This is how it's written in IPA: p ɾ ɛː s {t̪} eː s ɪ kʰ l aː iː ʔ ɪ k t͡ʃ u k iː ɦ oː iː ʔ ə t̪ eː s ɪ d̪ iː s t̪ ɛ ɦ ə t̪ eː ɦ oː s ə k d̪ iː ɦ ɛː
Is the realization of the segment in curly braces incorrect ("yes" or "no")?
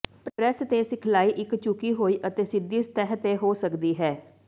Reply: no